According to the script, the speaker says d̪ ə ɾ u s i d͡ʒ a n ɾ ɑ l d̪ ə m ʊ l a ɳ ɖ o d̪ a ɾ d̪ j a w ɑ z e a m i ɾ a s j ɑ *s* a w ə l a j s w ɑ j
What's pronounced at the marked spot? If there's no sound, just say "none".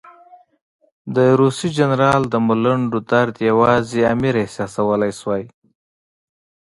s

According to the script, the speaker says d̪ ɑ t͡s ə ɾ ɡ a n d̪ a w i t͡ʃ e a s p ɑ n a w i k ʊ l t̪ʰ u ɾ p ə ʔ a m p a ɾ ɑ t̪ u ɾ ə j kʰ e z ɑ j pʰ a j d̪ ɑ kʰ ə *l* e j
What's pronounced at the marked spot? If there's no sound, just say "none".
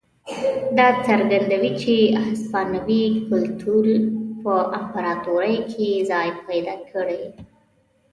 ɽ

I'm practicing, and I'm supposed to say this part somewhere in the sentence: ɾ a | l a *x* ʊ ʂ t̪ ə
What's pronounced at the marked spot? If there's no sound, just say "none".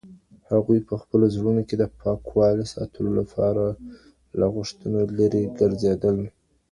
ɣ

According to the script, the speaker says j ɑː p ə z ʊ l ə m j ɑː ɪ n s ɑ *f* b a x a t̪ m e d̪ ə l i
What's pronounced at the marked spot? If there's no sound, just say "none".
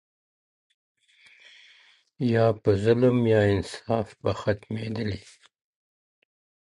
f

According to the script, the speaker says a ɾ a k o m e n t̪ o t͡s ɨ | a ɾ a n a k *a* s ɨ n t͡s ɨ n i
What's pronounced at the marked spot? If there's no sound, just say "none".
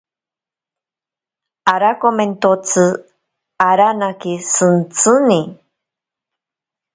i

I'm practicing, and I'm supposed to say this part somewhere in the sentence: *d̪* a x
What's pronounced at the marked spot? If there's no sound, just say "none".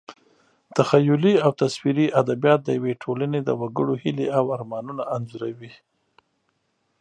t̪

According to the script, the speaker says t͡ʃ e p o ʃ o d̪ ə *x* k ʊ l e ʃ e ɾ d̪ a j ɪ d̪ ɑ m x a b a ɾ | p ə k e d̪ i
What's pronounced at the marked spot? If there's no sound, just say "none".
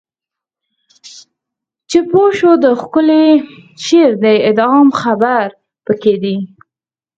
x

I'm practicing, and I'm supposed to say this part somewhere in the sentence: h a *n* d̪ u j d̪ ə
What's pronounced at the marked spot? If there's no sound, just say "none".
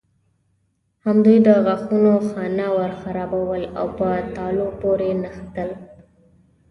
m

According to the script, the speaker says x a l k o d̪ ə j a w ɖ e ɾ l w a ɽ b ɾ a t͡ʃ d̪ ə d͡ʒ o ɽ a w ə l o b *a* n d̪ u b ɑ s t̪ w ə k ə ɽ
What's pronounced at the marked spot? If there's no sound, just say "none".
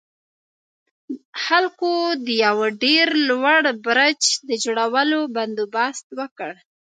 a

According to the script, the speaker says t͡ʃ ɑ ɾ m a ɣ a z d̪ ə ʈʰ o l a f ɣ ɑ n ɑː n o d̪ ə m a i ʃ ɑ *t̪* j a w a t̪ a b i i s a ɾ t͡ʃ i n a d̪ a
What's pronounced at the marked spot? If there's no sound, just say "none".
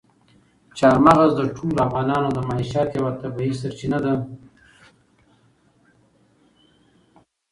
t̪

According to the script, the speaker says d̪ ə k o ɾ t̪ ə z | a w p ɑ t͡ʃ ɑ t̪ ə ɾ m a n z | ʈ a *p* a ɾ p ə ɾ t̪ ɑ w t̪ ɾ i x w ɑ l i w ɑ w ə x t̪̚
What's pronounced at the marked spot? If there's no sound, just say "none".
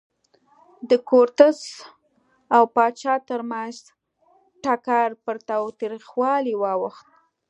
k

